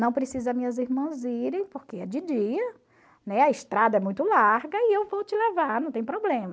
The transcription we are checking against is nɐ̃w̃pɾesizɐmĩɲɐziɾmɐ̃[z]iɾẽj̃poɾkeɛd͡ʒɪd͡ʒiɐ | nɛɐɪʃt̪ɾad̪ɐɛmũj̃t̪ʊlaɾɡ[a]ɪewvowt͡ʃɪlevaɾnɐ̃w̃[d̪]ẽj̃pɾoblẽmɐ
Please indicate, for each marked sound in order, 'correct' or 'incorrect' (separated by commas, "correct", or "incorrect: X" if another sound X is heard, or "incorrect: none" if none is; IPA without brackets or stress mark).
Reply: correct, incorrect: ɐ, incorrect: t̪